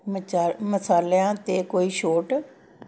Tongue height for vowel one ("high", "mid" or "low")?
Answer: mid